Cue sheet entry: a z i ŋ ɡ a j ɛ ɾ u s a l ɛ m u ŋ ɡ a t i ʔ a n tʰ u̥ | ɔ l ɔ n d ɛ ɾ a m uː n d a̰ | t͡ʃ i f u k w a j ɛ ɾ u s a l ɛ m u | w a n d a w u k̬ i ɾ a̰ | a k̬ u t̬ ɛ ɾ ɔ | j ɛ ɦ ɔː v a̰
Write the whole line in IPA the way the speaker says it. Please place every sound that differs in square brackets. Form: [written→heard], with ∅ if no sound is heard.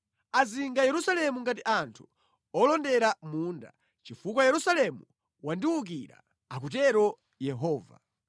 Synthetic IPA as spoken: a z i ŋ ɡ a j ɛ ɾ u s a l ɛ m u ŋ ɡ a t i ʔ a n tʰ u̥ | ɔ l ɔ n d ɛ ɾ a m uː n d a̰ | t͡ʃ i f u k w a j ɛ ɾ u s a l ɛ m u | w a n d [a→i] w u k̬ i ɾ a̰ | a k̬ u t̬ ɛ ɾ ɔ | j ɛ ɦ ɔː v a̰